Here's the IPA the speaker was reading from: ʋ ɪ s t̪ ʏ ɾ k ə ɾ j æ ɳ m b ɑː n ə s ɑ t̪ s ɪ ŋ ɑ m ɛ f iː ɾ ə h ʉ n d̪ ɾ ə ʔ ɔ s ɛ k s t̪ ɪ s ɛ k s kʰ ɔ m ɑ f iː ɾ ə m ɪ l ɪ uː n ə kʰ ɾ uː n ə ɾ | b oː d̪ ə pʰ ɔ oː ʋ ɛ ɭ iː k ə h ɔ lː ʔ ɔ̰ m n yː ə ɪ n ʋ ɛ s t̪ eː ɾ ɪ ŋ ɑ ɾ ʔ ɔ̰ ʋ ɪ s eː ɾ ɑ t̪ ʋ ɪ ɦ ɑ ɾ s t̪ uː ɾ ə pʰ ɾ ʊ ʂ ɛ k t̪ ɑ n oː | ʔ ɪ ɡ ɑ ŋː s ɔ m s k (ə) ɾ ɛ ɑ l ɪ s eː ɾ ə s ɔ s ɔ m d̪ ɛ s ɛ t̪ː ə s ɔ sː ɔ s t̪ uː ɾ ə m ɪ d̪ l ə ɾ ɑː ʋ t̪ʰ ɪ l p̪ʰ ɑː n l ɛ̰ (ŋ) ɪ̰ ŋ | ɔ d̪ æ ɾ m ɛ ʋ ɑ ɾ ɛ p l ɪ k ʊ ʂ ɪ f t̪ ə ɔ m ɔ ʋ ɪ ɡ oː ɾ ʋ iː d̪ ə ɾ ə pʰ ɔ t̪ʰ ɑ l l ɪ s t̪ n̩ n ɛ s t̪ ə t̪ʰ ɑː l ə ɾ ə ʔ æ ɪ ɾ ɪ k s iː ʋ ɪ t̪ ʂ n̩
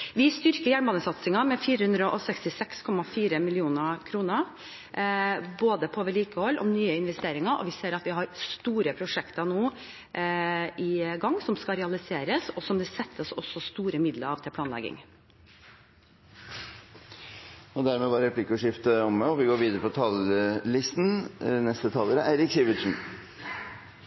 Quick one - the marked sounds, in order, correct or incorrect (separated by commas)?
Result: incorrect, incorrect